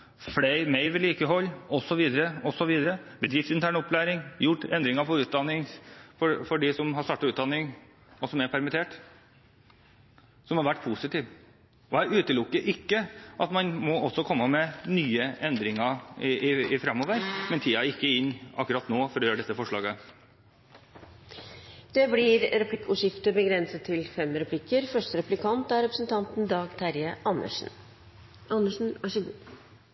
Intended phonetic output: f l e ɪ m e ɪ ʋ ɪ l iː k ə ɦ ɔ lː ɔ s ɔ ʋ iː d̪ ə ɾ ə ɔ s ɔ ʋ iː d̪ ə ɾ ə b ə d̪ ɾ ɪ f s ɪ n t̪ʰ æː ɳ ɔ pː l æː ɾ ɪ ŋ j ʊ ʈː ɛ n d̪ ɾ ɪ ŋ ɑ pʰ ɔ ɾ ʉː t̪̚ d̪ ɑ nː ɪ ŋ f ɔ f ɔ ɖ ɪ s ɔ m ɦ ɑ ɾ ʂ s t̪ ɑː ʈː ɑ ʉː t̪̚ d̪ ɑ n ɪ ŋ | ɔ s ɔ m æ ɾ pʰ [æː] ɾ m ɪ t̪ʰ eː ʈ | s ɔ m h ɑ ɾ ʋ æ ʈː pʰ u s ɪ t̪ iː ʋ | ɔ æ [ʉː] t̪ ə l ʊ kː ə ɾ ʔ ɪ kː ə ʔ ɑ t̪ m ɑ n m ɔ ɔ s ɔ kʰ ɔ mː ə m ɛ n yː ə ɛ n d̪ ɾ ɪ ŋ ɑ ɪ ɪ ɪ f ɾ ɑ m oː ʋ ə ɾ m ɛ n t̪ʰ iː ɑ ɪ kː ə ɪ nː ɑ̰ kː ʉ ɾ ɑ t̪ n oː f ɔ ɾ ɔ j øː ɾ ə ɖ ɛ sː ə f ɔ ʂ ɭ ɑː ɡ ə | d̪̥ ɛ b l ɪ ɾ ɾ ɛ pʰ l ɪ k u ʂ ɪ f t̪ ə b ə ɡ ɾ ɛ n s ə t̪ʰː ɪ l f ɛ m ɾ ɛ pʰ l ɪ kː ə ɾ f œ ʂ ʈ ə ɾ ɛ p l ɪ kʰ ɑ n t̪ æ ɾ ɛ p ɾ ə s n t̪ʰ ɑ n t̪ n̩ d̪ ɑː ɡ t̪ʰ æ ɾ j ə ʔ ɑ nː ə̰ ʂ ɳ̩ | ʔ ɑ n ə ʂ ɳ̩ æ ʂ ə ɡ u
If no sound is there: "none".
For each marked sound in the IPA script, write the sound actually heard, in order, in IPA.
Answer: æ, ʉː

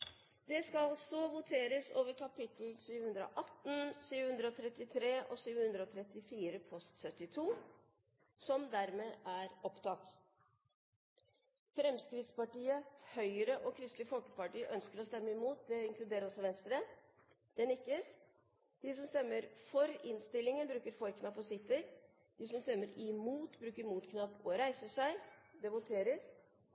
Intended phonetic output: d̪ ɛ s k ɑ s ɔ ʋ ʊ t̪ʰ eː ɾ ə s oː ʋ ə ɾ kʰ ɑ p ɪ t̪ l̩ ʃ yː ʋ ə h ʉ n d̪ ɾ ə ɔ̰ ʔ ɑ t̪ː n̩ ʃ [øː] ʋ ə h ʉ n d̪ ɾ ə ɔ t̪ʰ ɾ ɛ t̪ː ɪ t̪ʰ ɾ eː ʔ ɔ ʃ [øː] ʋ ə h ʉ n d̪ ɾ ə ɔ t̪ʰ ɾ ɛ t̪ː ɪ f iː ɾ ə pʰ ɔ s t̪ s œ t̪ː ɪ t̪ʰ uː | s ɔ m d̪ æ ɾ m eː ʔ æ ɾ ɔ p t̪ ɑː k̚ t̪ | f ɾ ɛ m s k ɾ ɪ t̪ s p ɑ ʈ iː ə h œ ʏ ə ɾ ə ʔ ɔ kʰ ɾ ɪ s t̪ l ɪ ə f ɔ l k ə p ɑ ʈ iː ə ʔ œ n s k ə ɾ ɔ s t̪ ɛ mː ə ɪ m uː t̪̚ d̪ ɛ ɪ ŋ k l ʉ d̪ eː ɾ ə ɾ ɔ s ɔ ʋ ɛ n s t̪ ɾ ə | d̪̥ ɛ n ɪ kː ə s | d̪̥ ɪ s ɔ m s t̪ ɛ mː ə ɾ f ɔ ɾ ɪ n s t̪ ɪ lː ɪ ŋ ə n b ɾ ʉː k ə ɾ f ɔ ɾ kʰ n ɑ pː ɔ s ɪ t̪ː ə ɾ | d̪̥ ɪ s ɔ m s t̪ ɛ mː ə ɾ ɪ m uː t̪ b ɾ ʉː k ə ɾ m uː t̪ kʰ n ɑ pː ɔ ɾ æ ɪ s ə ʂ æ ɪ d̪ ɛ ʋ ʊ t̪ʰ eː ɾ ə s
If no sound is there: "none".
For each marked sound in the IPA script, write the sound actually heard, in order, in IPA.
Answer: yː, yː

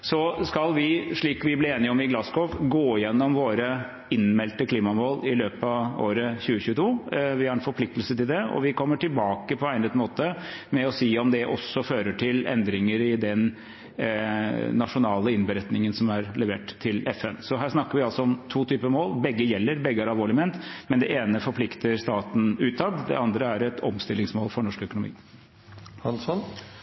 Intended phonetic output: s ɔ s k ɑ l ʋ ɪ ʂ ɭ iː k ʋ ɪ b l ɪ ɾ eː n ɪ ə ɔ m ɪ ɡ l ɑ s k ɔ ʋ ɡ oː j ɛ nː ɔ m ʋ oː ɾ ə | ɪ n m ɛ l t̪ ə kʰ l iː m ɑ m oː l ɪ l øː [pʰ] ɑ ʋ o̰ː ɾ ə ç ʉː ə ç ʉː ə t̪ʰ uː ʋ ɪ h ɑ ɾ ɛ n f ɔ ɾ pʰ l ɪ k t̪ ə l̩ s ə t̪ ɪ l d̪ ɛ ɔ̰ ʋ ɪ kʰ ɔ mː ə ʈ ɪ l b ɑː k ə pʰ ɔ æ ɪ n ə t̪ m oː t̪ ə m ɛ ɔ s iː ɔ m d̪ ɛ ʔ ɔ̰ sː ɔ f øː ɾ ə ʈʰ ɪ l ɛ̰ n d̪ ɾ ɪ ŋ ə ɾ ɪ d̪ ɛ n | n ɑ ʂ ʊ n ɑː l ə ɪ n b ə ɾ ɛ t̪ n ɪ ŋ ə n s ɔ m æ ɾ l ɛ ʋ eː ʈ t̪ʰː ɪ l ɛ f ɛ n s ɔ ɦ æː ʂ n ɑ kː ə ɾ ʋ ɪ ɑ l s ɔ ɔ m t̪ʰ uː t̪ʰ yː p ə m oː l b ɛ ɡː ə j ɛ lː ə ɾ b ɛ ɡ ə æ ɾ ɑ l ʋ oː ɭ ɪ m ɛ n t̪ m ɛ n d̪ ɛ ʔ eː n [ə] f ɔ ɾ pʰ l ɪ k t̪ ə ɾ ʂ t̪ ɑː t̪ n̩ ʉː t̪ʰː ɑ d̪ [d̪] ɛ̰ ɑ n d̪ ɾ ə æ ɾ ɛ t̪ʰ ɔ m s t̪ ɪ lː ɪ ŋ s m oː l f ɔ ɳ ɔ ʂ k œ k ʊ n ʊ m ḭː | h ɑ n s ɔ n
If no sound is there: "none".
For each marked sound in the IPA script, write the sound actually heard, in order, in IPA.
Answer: p, ə, d̪

